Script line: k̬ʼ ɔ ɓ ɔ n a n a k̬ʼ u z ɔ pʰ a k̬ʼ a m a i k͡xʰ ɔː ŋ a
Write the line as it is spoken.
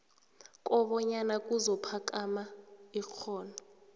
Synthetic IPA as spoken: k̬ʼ ɔ ɓ ɔ ɲ a n a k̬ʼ u z ɔ pʰ a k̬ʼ a m a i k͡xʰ ɔː n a